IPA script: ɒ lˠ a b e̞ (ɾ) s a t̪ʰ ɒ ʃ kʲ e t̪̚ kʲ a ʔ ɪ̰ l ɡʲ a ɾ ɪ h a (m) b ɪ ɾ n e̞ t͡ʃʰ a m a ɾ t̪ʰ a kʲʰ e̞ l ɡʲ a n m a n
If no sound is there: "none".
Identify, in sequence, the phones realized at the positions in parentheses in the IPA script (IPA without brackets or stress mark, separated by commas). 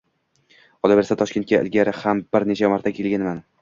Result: ɾ, m